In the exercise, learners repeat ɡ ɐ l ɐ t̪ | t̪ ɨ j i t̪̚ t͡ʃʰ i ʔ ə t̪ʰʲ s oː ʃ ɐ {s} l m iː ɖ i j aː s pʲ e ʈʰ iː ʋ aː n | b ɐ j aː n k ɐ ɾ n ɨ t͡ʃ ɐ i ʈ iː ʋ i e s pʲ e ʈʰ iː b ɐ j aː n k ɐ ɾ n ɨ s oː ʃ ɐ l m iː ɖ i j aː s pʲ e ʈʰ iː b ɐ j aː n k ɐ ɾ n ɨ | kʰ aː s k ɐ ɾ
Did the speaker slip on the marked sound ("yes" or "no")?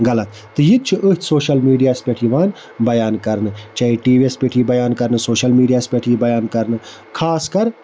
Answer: yes